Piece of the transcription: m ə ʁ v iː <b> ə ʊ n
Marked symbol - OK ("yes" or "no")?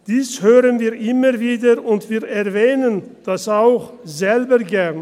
no